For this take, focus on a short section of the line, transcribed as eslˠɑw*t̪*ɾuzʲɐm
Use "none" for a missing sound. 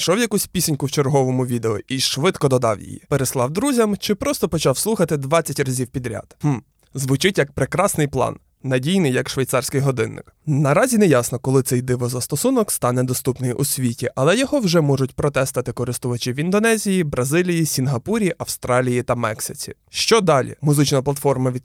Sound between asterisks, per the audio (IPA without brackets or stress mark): d̪